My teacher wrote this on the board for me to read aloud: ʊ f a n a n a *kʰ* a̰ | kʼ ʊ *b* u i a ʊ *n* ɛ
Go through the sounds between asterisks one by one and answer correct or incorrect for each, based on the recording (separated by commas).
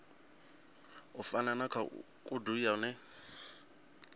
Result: correct, incorrect, correct